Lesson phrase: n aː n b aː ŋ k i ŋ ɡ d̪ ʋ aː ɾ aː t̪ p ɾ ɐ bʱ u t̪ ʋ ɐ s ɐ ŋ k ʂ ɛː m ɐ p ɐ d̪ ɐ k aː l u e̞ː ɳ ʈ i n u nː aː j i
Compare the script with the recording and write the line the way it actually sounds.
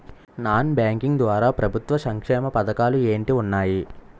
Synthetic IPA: n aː n b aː ŋ k i ŋ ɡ d̪ ʋ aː ɾ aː p ɾ ɐ bʱ u t̪ ʋ ɐ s ɐ ŋ k ʂ ɛː m ɐ p ɐ d̪ ɐ k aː l u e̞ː ɳ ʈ i u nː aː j i